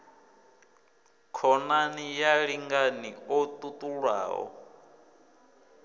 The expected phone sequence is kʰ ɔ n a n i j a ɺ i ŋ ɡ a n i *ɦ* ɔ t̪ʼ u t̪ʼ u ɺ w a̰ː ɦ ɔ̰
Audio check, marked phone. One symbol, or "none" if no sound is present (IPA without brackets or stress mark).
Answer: none